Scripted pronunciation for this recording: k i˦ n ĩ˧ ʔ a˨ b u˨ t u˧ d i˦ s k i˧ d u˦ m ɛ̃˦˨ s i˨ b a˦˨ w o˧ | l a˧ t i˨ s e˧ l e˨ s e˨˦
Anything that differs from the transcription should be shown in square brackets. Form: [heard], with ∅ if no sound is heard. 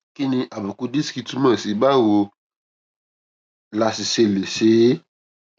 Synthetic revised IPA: k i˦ n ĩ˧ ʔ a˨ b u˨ [k] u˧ d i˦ s k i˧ [t] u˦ m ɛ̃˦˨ s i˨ b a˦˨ w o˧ | l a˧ [s] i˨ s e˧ l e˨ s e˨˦